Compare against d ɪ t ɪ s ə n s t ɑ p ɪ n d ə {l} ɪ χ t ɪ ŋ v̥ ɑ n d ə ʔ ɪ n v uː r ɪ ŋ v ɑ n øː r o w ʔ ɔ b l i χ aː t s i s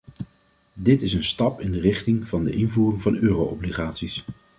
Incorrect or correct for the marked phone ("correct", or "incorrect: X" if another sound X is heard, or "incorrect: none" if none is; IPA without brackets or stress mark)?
incorrect: r